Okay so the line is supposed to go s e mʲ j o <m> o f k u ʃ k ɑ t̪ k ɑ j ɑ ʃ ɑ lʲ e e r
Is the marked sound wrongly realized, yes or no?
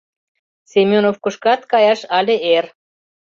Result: yes